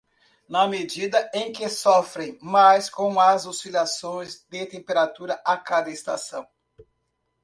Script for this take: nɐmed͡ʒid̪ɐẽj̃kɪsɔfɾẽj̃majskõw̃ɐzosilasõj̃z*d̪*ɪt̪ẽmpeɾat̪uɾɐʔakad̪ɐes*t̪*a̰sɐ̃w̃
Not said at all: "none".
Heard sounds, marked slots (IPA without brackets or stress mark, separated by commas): d̪, t̪